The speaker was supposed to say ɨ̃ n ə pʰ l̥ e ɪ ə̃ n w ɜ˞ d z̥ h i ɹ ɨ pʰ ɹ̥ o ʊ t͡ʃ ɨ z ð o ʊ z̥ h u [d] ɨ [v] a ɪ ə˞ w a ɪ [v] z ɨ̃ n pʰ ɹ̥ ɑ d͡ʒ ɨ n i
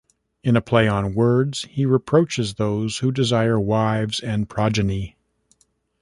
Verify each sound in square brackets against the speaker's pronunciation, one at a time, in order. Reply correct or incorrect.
correct, incorrect: z, correct

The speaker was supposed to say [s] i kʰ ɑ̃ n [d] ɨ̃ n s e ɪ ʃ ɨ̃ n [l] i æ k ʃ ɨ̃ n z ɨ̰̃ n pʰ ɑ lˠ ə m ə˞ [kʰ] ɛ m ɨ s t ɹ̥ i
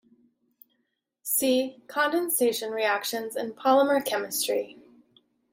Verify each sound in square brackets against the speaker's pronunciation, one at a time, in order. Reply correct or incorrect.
correct, correct, incorrect: ɹ, correct

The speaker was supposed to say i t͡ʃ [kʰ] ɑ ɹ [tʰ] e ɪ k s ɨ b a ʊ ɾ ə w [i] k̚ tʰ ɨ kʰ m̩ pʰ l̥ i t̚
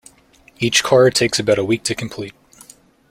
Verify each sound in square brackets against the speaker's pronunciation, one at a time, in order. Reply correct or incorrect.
correct, correct, correct

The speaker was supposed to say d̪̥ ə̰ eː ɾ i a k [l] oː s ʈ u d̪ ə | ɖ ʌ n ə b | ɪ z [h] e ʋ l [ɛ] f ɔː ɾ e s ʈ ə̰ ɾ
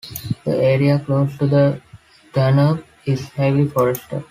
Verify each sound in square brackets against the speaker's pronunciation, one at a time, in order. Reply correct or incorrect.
correct, correct, incorrect: i

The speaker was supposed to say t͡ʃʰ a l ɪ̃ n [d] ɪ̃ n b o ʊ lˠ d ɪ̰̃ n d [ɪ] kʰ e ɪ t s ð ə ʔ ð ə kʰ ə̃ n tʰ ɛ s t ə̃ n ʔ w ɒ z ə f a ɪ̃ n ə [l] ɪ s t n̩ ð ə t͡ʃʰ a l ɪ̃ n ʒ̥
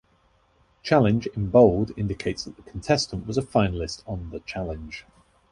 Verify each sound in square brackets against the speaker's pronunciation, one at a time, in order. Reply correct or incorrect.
incorrect: d͡ʒ, correct, correct

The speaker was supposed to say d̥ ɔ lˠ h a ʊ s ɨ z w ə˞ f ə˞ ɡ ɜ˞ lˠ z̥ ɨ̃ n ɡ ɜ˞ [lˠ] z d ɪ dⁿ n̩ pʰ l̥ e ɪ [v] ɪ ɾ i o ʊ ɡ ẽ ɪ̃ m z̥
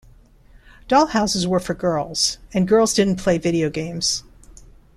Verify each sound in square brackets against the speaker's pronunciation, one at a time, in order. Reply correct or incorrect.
correct, correct

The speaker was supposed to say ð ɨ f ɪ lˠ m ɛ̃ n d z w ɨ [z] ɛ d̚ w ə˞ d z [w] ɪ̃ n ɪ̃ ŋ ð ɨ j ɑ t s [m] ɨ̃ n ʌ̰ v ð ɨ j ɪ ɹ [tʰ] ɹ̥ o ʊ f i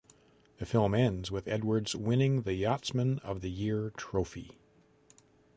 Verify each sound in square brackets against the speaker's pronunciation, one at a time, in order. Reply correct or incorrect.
incorrect: ð, correct, correct, correct

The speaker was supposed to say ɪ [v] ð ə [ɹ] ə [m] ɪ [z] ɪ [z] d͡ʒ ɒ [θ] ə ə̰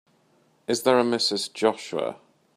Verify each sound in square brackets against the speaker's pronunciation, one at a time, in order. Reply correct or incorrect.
incorrect: z, correct, correct, incorrect: s, correct, incorrect: ʃ

